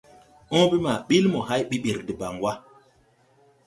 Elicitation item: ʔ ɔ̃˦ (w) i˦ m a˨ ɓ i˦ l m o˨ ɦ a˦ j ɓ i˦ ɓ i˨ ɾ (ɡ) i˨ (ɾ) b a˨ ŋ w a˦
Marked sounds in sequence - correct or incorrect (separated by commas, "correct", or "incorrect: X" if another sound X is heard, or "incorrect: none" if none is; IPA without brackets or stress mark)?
incorrect: b, incorrect: d, incorrect: none